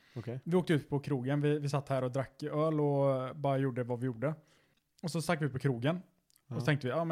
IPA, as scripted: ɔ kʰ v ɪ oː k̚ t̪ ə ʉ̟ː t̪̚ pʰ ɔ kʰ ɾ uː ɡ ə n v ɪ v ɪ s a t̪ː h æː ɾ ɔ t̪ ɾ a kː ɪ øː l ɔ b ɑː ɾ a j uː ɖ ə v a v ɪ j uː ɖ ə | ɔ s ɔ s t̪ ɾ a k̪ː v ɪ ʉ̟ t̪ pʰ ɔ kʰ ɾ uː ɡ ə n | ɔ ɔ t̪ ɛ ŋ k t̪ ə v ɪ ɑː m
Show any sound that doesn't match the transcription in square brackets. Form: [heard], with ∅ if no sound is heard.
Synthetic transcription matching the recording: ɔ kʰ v ɪ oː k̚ t̪ ə ʉ̟ː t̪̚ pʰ ɔ kʰ ɾ uː ɡ ə n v ɪ v ɪ s a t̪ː h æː ɾ ɔ [d̪] ɾ a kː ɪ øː l ɔ b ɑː ɾ a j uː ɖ ə v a v ɪ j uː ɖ ə | ɔ s ɔ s t̪ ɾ a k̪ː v ɪ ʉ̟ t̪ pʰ ɔ kʰ ɾ uː ɡ ə n | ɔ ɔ t̪ ɛ ŋ k t̪ ə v ɪ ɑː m